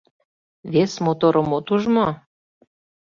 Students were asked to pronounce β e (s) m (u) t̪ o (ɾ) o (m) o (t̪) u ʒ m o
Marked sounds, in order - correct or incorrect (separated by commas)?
correct, incorrect, correct, correct, correct